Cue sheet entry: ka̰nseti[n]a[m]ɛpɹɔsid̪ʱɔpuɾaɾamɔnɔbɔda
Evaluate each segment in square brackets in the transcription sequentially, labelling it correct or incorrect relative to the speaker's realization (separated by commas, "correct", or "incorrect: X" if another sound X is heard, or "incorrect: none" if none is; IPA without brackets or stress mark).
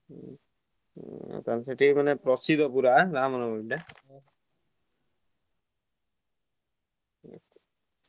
incorrect: m, incorrect: n